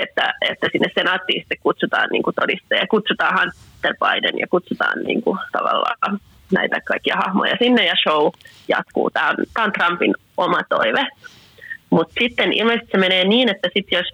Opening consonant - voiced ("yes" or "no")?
no